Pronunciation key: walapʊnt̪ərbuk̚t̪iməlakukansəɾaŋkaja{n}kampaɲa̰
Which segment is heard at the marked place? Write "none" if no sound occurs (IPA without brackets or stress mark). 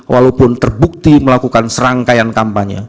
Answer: n